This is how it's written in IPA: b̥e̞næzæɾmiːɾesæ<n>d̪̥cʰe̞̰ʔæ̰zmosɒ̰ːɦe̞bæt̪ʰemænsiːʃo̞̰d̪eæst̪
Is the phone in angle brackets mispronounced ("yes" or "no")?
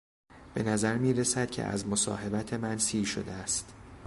yes